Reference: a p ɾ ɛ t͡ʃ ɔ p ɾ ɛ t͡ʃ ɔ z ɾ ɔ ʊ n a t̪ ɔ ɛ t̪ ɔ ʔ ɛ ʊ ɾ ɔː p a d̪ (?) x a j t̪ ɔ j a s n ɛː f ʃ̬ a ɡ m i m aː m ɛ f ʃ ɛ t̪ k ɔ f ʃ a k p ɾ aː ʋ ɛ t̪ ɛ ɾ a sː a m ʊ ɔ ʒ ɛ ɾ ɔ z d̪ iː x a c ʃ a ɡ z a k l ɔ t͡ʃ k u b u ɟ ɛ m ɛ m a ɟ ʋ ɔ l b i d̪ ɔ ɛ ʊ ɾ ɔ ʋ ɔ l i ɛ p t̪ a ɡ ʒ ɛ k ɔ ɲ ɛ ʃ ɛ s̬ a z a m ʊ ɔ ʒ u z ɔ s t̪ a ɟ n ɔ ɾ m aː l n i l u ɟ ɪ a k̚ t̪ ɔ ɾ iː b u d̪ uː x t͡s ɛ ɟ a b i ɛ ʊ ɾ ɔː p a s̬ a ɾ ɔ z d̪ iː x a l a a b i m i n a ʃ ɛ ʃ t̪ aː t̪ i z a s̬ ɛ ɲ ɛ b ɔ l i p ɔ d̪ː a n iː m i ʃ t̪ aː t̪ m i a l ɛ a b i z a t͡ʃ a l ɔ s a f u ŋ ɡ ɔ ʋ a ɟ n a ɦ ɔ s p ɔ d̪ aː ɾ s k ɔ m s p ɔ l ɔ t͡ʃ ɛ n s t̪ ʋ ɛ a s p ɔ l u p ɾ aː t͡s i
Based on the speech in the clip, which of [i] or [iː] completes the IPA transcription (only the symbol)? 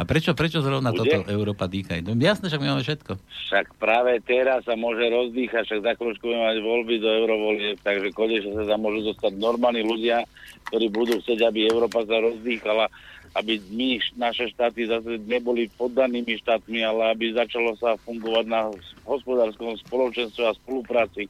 iː